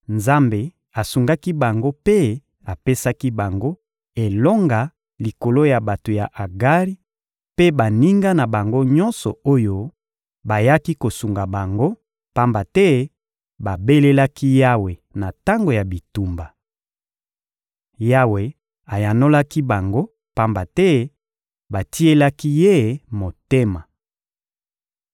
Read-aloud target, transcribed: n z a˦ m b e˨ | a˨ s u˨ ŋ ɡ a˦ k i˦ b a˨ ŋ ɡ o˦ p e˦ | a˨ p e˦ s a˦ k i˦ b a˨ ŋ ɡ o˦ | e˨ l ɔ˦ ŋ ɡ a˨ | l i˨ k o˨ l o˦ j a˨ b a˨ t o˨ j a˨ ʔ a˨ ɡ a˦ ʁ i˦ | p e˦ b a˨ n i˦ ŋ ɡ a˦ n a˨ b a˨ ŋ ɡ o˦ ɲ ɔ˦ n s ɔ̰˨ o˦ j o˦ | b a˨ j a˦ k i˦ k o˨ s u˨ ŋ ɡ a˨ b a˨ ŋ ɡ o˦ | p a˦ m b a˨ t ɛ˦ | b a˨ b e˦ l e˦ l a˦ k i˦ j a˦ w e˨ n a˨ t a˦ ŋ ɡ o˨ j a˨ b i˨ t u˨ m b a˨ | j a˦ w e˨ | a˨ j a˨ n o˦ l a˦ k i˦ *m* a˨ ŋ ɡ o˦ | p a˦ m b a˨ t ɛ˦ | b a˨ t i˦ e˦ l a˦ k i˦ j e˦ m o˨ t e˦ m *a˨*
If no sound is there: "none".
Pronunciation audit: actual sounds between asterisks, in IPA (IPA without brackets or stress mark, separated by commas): b, a˨